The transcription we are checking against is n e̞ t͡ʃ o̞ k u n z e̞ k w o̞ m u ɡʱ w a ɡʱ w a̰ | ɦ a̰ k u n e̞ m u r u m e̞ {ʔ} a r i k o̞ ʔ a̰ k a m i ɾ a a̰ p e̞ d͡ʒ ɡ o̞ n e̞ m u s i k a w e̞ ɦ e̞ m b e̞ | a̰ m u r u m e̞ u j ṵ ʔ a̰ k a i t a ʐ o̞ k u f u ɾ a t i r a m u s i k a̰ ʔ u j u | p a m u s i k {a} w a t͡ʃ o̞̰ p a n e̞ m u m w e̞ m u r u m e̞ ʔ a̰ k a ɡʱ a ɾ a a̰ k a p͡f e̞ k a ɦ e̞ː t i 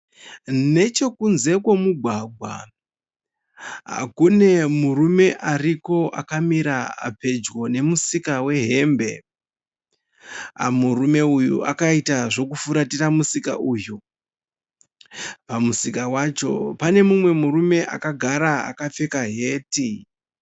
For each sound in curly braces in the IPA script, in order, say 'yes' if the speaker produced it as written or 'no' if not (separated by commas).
yes, yes